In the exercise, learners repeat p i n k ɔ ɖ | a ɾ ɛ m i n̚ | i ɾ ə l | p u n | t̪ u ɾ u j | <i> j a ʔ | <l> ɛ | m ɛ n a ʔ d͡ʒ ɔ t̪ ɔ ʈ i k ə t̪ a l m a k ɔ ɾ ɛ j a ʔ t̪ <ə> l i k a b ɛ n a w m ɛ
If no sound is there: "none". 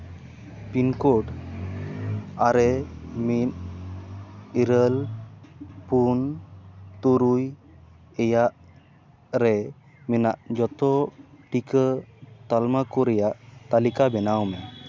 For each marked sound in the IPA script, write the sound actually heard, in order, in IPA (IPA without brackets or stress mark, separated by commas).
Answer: ɛ, ɾ, a